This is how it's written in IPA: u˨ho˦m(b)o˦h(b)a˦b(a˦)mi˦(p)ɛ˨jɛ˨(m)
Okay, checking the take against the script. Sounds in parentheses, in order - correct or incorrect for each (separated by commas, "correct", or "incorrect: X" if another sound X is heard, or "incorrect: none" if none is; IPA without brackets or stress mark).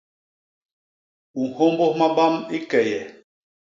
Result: correct, incorrect: m, correct, incorrect: k, incorrect: none